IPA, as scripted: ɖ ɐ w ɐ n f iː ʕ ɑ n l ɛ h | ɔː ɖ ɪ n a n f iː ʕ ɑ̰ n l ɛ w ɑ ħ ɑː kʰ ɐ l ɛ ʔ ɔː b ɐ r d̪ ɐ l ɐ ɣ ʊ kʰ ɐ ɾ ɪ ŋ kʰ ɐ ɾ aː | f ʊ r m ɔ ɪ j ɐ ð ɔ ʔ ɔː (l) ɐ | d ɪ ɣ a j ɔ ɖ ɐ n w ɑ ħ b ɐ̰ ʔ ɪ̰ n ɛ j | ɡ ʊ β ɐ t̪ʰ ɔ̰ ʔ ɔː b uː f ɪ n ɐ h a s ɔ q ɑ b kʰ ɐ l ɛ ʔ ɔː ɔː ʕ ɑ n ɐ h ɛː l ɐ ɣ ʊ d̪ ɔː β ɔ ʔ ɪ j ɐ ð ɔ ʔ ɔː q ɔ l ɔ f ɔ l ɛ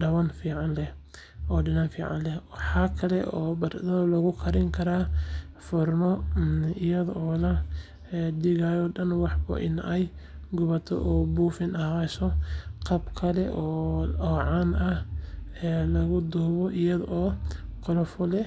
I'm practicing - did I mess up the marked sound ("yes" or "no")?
no